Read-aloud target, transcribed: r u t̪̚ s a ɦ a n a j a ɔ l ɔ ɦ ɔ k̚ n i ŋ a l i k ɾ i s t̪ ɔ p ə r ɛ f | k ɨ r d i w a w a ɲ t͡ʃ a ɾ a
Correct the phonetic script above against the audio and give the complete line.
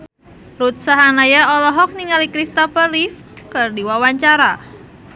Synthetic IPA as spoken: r u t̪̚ s a ɦ a n a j a ɔ l ɔ ɦ ɔ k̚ n i ŋ a l i k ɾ i s t̪ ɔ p ə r i f | k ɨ r d i w a w a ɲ t͡ʃ a ɾ a